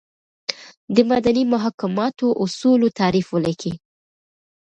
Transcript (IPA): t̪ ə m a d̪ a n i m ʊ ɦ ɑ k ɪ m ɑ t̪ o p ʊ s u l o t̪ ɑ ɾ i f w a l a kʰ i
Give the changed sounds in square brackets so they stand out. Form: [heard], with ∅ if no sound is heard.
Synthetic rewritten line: [d̪] ə m a d̪ a n i m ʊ ɦ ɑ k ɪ m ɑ t̪ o [ʔ] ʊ s u l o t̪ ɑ ɾ i f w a l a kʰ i